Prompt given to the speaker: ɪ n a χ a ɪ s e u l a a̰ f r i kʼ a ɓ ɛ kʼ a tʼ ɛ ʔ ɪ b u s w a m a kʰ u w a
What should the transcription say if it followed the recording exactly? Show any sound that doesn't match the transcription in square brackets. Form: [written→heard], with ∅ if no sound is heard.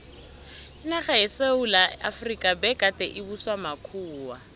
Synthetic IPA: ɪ n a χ a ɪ s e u l a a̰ f r i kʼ a [ɓ→b] ɛ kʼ a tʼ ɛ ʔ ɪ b u s w a m a kʰ [u→uː] w a